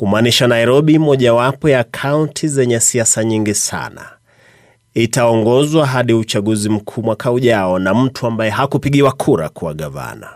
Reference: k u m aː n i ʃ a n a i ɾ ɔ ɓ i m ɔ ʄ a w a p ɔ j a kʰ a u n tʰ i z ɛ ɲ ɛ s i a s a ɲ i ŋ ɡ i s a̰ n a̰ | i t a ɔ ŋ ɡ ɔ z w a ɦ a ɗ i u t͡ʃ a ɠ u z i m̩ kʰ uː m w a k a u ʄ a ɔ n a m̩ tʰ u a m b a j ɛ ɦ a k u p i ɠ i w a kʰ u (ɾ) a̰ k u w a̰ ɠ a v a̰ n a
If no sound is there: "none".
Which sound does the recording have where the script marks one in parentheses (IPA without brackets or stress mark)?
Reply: ɾ